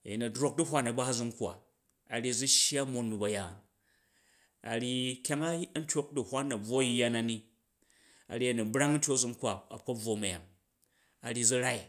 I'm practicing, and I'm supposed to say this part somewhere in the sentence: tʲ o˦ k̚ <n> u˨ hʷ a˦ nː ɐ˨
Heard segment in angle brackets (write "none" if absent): d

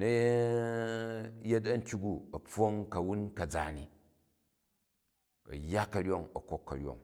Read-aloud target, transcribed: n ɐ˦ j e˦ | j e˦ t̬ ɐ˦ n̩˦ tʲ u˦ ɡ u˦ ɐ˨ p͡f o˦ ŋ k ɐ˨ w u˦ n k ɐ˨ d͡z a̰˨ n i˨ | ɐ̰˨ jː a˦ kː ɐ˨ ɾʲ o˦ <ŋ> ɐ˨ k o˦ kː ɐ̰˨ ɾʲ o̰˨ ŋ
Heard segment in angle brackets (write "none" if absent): ŋ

